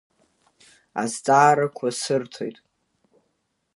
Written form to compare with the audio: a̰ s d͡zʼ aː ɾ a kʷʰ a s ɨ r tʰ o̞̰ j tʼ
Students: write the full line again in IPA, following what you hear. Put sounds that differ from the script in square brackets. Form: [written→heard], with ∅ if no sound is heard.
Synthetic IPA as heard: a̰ [s→z] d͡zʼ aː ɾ a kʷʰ a s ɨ r tʰ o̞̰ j tʼ